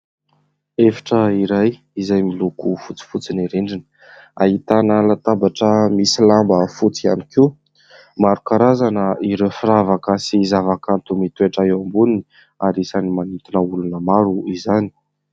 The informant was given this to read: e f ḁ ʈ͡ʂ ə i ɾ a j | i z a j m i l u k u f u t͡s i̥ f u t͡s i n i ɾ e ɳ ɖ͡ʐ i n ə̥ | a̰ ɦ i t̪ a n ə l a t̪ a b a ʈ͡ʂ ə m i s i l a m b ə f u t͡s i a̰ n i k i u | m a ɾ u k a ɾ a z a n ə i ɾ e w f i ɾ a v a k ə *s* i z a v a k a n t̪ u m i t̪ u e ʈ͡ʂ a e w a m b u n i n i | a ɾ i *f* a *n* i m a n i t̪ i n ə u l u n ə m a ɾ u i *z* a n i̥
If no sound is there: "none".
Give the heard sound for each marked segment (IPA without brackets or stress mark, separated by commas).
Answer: s, s, n, z